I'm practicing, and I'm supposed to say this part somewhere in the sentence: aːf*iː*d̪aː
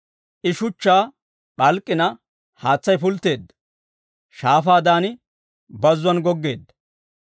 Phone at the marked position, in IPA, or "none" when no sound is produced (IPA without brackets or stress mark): aː